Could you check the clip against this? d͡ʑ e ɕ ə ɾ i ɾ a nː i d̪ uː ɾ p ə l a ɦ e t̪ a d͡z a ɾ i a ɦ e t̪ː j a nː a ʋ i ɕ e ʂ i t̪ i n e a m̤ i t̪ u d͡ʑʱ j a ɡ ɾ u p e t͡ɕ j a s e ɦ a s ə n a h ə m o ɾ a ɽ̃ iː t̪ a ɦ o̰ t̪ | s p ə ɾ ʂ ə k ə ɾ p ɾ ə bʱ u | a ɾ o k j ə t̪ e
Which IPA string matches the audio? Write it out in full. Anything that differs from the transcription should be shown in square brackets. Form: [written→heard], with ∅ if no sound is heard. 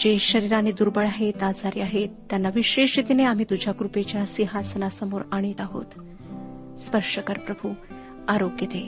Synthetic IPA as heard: d͡ʑ e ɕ ə ɾ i ɾ a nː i d̪ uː ɾ [p→b] ə [l→ɭ] a ɦ e t̪ a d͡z a ɾ i a ɦ e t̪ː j a nː a ʋ i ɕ e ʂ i t̪ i n e a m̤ i t̪ u d͡ʑʱ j a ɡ ɾ u p e t͡ɕ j a s [e→i] ɦ a s ə n a [h→s] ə m o ɾ a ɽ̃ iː t̪ a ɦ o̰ t̪ | s p ə ɾ ʂ ə k ə ɾ p ɾ ə bʱ u | a ɾ o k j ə t̪ e